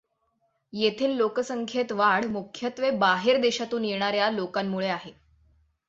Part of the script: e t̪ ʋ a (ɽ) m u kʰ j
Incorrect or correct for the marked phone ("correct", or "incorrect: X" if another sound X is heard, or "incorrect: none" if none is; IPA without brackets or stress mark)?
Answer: correct